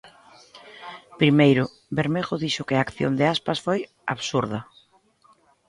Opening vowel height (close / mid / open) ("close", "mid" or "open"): close